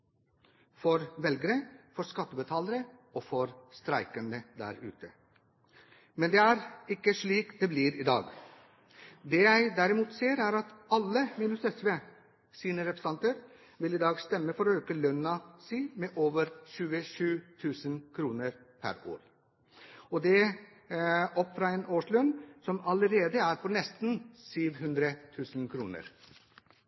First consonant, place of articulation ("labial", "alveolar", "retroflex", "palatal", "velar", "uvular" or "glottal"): labial